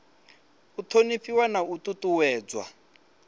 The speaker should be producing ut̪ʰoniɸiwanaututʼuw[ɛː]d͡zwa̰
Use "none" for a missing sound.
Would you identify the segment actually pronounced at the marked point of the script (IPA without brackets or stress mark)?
ɛː